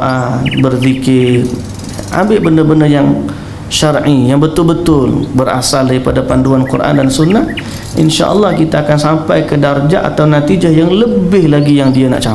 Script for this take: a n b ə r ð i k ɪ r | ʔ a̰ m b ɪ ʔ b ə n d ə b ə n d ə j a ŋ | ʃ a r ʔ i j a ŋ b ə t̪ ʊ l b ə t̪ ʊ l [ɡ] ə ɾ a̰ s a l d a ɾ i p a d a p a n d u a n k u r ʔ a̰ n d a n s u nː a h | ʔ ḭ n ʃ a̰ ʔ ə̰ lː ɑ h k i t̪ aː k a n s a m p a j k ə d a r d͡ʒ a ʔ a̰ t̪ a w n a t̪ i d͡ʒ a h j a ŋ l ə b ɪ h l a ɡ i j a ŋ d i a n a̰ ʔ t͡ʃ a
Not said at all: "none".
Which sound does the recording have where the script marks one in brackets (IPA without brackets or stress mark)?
b